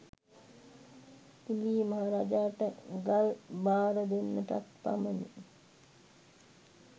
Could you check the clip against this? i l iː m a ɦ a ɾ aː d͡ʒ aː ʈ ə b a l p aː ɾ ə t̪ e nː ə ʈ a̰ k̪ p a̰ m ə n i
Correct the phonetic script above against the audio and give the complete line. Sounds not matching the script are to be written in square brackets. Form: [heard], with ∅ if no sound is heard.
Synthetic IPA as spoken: i l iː m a ɦ a ɾ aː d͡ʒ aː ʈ ə [ɡ] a l [b] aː ɾ ə [d̪] e nː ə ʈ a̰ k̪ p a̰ m ə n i